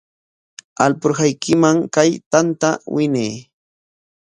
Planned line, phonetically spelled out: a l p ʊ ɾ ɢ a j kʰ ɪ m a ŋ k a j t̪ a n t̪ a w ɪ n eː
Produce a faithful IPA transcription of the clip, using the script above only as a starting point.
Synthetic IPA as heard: a l p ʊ ɾ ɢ a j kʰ ɪ m a ŋ k a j t̪ a n t̪ a w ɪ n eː